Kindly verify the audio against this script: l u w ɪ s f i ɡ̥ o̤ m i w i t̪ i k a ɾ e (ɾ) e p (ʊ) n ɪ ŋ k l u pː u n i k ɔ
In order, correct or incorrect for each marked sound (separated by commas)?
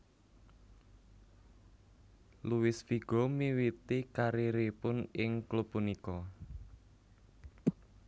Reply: correct, correct